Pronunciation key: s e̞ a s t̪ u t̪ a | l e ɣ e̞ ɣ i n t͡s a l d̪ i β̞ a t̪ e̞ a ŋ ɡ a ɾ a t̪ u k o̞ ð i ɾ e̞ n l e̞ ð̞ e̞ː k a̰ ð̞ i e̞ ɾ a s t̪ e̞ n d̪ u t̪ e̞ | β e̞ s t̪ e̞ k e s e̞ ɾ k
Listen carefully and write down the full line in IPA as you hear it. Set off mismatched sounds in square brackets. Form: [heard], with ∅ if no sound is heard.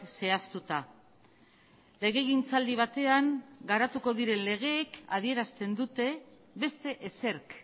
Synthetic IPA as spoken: s e̞ a s t̪ u t̪ a | l e ɣ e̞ ɣ i n t͡s a l d̪ i β̞ a t̪ e̞ a ŋ ɡ a ɾ a t̪ u k o̞ ð i ɾ e̞ n l e̞ [ɣ̞] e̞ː k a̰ ð̞ i e̞ ɾ a s t̪ e̞ n d̪ u t̪ e̞ | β e̞ s t̪ e̞ [ʔ] e s e̞ ɾ k